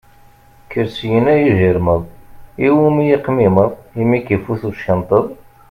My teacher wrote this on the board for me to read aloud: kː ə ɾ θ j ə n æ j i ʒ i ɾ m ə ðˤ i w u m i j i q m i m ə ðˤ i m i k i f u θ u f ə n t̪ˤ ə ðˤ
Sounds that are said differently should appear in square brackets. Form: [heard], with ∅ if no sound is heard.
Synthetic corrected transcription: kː ə ɾ [s] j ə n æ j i ʒ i ɾ m ə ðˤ i w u m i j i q m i m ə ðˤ i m i k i f u θ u [ʃ] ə n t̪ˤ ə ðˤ

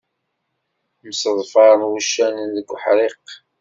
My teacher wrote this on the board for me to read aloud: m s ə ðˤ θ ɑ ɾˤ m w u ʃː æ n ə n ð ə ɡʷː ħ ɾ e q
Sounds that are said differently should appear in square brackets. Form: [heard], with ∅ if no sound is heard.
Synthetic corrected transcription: m s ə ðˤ [f] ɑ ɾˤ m w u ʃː æ n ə n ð ə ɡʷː ħ ɾ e q

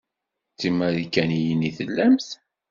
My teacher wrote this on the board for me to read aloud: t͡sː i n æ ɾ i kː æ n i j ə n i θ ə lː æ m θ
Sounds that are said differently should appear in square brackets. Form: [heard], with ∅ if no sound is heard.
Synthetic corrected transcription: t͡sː i [m] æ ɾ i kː æ n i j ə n i θ ə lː æ m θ

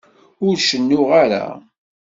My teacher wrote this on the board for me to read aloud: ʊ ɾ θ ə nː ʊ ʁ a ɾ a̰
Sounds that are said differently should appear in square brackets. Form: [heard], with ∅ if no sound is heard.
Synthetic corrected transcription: ʊ ɾ [ʃ] ə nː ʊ ʁ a ɾ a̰

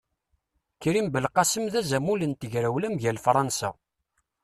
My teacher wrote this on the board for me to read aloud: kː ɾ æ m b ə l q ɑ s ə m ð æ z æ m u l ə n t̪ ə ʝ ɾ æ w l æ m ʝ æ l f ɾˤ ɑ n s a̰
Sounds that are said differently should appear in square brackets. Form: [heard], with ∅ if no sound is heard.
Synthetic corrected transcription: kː ɾ [i] m b ə l q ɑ s ə m ð æ z æ m u l ə n t̪ ə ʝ ɾ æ w l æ m ʝ æ l f ɾˤ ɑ n s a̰

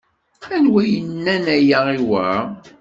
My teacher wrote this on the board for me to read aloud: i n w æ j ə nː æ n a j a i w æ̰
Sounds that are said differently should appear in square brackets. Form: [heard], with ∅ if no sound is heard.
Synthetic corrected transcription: [æ] n w æ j ə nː æ n [æ] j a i w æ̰

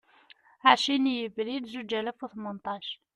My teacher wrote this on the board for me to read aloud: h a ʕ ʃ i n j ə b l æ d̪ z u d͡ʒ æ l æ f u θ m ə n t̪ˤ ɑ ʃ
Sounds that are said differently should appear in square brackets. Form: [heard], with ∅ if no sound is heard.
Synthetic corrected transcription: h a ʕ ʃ i n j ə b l [i] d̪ z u d͡ʒ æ l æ f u θ m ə n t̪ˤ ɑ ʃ

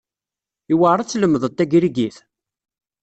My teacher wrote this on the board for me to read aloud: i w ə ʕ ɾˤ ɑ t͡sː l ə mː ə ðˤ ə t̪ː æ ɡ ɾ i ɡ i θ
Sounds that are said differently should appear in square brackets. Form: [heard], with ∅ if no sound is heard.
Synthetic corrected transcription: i w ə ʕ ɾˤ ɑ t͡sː l ə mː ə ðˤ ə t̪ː æ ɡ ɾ i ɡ i θ

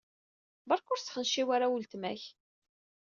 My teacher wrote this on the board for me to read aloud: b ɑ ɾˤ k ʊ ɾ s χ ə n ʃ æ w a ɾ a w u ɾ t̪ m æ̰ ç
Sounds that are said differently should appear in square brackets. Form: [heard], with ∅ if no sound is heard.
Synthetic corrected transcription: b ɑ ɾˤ k ʊ ɾ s χ ə n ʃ [i] w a ɾ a w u [l] t̪ m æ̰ ç

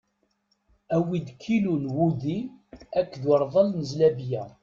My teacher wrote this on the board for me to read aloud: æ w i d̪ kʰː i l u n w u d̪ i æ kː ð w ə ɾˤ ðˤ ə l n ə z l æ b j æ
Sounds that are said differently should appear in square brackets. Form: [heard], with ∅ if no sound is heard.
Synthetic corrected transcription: æ w i d̪ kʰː i l u n w u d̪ i æ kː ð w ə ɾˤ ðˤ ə l n ə z l æ b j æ

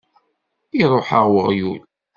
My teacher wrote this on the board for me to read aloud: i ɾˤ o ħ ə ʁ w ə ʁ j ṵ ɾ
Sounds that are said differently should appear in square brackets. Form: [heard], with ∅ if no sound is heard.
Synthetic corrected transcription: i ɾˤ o ħ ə ʁ w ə ʁ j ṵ [l]

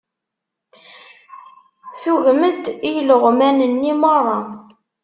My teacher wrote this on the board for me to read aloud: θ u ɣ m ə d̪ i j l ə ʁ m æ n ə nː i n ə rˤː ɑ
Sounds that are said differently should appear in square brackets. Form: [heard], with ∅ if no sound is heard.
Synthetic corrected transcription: θ u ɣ m ə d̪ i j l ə ʁ m æ n ə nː i [m] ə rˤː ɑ

